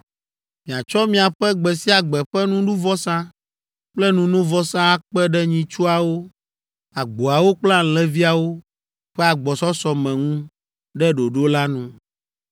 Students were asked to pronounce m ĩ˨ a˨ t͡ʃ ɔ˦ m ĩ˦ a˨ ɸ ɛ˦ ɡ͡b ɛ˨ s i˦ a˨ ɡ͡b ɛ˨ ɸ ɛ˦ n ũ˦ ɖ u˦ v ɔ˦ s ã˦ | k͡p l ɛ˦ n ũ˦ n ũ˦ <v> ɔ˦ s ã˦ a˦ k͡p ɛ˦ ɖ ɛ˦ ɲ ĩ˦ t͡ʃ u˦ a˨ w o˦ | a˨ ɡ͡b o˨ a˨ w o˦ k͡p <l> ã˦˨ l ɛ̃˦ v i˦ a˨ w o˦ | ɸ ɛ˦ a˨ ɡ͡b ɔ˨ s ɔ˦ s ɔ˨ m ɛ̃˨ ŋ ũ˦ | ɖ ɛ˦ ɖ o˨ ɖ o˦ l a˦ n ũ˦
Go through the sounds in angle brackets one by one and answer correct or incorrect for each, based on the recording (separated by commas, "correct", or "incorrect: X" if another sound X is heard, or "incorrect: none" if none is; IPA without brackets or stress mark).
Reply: correct, correct